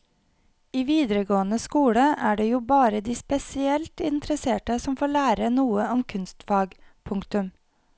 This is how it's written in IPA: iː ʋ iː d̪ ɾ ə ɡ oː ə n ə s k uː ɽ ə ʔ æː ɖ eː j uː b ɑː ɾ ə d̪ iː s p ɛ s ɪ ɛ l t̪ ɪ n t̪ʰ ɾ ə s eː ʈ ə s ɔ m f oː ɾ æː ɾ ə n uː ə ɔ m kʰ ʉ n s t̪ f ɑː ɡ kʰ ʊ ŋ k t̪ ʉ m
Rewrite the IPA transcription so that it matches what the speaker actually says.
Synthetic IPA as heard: iː ʋ iː d̪ ɾ ə ɡ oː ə n ə s k uː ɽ ə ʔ æː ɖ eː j uː b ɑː ɾ ə d̪ iː s p ɛ s ɪ ɛ l t̪ ɪ n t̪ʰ ɾ ə s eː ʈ ə s ɔ m f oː ɭ æː ɾ ə n uː ə ɔ m kʰ ʉ n s t̪ f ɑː ɡ pʰ ʊ ŋ k t̪ ʉ m